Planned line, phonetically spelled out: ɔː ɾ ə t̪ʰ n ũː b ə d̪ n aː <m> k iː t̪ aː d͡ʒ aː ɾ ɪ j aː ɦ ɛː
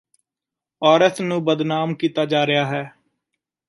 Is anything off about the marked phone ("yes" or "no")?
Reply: no